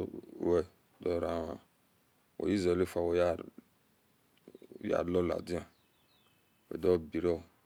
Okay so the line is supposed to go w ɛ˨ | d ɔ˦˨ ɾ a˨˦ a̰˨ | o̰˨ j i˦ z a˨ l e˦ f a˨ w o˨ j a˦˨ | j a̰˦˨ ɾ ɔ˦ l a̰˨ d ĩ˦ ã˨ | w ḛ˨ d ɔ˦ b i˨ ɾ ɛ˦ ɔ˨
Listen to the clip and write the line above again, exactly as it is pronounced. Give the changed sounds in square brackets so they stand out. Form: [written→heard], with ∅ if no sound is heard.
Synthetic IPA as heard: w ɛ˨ | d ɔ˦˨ ɾ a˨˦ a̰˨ | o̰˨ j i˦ z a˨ l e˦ f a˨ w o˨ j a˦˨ | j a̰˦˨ [ɾ→l] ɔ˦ l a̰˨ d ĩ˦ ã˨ | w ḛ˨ d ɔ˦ b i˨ ɾ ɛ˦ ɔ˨